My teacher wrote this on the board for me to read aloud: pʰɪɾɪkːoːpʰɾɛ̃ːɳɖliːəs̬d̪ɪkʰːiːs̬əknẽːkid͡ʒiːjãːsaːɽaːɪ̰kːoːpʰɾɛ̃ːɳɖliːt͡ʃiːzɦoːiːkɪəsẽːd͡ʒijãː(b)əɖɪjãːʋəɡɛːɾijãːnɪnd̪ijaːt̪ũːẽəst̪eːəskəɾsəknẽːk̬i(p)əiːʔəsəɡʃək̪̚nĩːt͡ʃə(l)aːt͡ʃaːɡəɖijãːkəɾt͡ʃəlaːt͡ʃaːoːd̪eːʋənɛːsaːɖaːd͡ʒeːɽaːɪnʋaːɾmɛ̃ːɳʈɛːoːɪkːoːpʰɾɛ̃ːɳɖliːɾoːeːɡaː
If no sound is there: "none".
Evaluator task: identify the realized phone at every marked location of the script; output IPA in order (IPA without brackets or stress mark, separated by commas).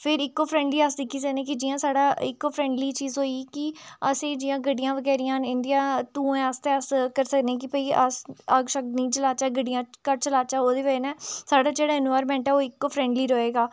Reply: ɡ, p, l